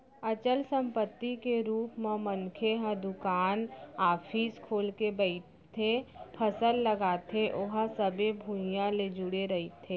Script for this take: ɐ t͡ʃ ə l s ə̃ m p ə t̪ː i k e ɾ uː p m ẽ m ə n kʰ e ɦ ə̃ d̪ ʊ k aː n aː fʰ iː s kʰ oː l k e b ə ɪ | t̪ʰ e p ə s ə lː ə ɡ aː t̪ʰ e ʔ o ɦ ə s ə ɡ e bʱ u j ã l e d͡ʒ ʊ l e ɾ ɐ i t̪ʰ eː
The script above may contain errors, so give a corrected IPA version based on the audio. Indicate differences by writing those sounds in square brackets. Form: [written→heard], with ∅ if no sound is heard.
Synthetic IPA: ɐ t͡ʃ ə l s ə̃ m p ə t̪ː i k e ɾ uː p m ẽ m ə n kʰ e ɦ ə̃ d̪ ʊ k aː n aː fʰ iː s kʰ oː l k e b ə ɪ | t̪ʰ e [p→pʰ] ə s ə lː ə ɡ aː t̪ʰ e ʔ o ɦ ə s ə [ɡ→b] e bʱ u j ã l e d͡ʒ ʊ [l→ɽ] e ɾ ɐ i t̪ʰ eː